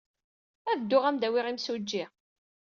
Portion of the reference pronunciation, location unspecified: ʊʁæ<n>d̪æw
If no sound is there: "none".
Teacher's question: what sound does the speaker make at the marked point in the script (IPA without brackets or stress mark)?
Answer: m